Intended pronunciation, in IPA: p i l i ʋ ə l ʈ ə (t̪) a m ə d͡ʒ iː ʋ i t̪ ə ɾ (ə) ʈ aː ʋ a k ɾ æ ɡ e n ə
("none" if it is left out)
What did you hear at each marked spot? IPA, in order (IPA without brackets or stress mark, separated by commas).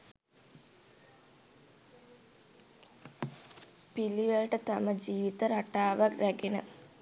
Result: t̪, a